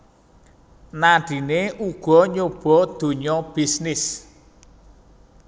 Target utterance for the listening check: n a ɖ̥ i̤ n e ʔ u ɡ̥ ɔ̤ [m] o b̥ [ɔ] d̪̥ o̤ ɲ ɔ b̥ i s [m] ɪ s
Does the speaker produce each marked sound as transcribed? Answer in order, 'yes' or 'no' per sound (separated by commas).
no, yes, no